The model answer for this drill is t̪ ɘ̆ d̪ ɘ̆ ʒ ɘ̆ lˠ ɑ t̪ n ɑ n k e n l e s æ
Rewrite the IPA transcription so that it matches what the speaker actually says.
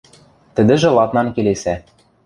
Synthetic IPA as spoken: t̪ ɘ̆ d̪ ɘ̆ ʒ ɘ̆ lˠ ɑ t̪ n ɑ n k e l e s æ